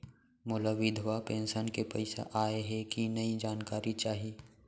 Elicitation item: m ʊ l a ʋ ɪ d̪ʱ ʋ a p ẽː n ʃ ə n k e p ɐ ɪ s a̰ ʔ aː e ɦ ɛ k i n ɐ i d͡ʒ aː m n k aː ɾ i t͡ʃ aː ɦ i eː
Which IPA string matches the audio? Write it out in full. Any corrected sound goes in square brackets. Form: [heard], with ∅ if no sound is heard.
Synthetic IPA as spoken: m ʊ l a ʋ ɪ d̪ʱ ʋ a p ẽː n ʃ ə n k e p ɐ ɪ s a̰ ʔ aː e ɦ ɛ k i n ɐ i d͡ʒ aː [∅] n k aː ɾ i t͡ʃ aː ɦ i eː

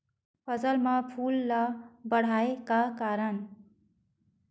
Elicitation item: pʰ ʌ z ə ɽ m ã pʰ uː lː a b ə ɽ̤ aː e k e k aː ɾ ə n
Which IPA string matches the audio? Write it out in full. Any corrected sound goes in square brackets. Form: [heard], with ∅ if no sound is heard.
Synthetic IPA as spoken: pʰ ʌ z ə [l] m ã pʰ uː lː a b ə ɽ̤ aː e k [a] k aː ɾ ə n

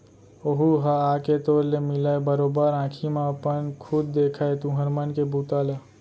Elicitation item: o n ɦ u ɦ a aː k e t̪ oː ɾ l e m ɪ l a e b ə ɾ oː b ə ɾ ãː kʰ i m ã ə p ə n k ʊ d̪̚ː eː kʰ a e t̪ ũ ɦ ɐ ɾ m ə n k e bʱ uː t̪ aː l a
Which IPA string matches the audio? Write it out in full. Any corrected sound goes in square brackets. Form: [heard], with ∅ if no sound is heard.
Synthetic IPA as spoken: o [∅] ɦ u ɦ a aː k e t̪ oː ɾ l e m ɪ l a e b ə ɾ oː b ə ɾ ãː kʰ i m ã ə p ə n [kʰ] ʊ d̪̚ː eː kʰ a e t̪ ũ ɦ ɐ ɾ m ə n k e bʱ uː t̪ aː l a

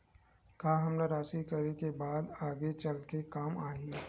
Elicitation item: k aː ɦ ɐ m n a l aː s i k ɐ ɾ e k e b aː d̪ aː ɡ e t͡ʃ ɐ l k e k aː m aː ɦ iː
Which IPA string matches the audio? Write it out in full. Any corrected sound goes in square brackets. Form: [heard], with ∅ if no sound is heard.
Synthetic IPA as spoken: k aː ɦ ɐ m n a [ɾ] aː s i k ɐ ɾ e k e b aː d̪ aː ɡ e t͡ʃ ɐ l k e k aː m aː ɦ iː

